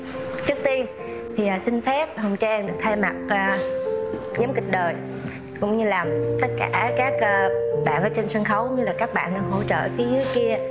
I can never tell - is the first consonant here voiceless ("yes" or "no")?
yes